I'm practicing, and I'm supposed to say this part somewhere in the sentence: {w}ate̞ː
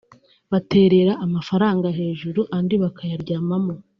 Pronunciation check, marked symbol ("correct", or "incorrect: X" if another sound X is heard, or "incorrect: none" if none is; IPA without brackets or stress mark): incorrect: β